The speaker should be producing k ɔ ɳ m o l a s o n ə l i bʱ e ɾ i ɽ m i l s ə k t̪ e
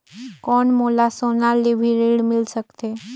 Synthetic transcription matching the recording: k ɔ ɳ m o l a s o n a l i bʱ i ɾ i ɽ m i l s ə k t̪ e